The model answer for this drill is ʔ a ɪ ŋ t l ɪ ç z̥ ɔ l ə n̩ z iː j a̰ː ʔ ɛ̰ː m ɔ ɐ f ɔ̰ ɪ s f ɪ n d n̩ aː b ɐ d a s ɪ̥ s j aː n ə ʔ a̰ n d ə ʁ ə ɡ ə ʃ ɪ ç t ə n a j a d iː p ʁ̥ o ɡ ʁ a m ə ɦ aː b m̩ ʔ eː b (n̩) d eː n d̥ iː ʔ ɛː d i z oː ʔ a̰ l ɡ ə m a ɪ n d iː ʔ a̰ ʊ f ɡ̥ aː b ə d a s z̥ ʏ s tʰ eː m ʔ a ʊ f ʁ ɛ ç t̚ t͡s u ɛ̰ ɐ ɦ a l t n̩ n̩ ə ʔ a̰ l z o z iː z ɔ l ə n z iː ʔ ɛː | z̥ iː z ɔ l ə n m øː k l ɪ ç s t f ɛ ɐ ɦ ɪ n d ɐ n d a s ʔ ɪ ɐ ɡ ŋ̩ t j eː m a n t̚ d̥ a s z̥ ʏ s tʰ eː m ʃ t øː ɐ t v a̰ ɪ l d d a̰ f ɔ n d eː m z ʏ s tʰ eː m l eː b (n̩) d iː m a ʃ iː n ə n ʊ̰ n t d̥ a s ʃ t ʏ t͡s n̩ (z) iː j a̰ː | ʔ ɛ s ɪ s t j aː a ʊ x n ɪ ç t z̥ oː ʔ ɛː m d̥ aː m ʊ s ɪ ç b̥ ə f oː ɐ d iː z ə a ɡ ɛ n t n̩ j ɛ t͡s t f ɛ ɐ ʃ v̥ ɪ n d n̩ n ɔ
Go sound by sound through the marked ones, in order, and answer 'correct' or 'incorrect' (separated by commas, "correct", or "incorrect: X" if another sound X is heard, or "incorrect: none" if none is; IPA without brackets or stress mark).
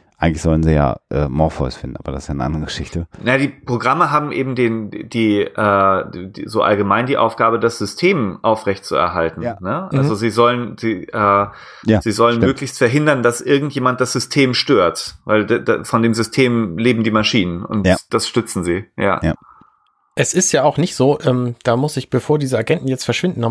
incorrect: m̩, incorrect: m̩, correct